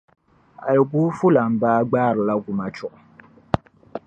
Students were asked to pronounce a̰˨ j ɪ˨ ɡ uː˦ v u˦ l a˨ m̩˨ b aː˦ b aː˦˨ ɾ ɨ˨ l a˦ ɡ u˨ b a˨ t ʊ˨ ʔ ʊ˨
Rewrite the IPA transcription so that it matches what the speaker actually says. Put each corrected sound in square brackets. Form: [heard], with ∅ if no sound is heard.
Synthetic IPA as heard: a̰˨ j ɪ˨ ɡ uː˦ [f] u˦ l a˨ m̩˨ b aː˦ [ɡ͡b] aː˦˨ ɾ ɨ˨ l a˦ ɡ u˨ [m] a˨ [t͡ʃ] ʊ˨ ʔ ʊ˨